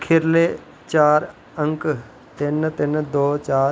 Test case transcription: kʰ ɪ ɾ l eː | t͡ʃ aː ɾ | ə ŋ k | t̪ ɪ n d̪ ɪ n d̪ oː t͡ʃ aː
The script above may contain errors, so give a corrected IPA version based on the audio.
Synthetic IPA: kʰ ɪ ɾ l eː | t͡ʃ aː ɾ | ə ŋ k | t̪ ɪ n t̪ ɪ n d̪ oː t͡ʃ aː